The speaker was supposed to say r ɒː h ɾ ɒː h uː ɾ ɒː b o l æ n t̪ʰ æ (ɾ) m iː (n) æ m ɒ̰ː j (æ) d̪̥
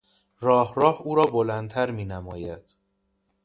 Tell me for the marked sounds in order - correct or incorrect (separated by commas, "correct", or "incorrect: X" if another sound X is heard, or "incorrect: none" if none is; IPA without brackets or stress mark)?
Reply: correct, correct, correct